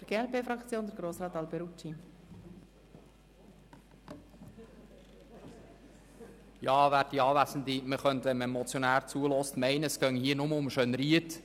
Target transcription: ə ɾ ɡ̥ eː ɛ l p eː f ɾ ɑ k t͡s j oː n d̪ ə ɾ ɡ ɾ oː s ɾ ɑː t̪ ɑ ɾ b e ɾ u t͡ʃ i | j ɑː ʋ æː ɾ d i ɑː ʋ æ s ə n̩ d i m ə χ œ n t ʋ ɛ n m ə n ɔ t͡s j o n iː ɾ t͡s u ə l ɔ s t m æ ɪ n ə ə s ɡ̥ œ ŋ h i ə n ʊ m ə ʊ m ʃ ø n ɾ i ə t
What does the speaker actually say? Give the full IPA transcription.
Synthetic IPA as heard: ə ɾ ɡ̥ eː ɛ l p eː f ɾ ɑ k t͡s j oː n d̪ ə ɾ ɡ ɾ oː s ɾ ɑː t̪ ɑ l b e ɾ u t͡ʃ i | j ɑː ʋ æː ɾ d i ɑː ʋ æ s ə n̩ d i m ə χ œ n t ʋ ɛ n m ə m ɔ t͡s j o n æː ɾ t͡s u ə l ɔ s t m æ ɪ n ə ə s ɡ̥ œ ŋ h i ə n ʊ m ə ʊ m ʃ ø n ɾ i ə t